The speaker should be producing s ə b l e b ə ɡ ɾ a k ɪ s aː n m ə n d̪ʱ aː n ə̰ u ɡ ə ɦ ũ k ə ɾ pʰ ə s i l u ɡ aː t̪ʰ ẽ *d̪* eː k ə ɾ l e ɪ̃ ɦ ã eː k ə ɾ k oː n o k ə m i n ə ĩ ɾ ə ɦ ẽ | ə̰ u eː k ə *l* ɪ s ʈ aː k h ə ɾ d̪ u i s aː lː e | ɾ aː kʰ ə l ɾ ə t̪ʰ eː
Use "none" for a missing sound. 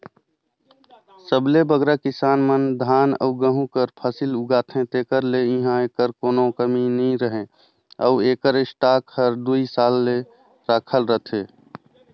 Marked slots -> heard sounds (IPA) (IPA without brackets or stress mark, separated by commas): t̪, ɾ